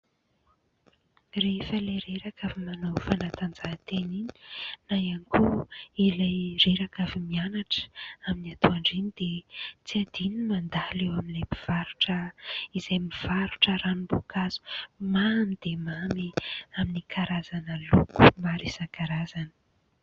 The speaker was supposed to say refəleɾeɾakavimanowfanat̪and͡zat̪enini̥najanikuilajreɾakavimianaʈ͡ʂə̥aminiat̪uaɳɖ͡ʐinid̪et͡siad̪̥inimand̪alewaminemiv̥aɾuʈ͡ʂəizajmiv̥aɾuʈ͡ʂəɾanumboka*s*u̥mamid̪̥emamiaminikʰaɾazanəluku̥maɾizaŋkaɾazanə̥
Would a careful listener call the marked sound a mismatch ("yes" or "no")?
yes